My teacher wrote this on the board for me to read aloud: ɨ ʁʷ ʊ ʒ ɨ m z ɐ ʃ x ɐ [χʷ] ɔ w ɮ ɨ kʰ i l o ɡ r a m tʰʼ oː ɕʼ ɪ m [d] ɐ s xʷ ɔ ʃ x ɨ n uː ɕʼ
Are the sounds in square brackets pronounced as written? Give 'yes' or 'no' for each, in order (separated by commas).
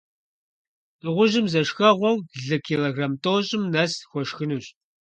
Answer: no, no